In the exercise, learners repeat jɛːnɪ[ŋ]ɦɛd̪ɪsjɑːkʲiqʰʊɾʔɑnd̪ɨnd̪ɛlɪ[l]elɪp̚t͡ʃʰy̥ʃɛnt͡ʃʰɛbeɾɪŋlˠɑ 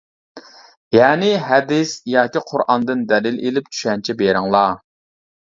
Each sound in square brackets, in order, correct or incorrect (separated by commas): incorrect, correct